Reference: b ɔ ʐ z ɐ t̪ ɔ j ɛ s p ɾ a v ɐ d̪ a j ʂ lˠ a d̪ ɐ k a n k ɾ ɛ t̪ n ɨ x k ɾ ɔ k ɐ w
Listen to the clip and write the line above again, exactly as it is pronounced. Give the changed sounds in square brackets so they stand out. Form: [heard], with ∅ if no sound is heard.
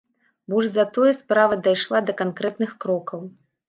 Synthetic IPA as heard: b ɔ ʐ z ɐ t̪ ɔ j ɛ s p ɾ a v ɐ d̪ a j ʂ lˠ a d̪ ɐ k a n k ɾ ɛ t̪ n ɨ x k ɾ ɔ k ɐ w